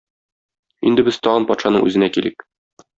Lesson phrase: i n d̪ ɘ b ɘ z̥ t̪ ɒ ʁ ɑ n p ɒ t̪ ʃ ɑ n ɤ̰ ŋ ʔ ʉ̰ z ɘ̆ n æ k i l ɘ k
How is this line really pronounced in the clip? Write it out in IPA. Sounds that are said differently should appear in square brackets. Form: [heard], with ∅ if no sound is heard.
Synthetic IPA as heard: i n d̪ ɘ b ɘ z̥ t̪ ɒ ʁ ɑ n p ɒ t̪ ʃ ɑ n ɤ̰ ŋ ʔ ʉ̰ z ɘ̆ n æ k i l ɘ k